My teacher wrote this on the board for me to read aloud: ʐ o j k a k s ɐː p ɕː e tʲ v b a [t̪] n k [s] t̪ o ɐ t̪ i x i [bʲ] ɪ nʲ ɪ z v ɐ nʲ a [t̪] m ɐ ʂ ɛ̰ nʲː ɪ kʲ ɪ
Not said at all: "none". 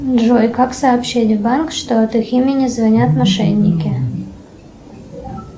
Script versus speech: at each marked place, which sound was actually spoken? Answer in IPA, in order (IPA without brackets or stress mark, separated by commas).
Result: none, ʂ, mʲ, t̪